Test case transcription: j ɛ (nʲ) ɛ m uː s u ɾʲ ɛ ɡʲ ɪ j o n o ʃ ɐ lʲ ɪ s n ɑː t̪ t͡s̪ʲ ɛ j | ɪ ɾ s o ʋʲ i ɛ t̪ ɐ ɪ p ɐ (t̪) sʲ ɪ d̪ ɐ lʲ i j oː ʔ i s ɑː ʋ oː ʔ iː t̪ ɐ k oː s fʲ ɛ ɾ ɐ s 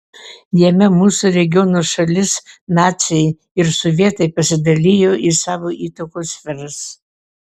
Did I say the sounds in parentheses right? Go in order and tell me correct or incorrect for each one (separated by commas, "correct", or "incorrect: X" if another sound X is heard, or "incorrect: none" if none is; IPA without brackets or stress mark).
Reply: incorrect: mʲ, incorrect: none